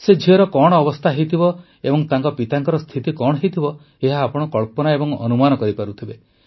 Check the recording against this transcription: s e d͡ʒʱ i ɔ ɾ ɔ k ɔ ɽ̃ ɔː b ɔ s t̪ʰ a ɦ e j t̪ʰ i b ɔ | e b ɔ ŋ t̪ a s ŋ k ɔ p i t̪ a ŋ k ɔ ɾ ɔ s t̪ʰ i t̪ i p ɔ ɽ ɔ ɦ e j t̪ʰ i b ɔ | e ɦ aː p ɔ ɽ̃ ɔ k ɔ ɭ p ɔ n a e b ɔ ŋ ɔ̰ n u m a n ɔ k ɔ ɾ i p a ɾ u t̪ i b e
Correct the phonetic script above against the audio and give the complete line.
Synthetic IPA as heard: s e d͡ʒʱ i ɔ ɾ ɔ k ɔ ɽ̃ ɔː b ɔ s t̪ʰ a ɦ e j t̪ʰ i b ɔ | e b ɔ ŋ t̪ a ŋ k ɔ p i t̪ a ŋ k ɔ ɾ ɔ s t̪ʰ i t̪ i k ɔ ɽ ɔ ɦ e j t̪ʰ i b ɔ | e ɦ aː p ɔ ɽ̃ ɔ k ɔ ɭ p ɔ n a e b ɔ ŋ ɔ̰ n u m a n ɔ k ɔ ɾ i p a ɾ u t̪ʰ i b e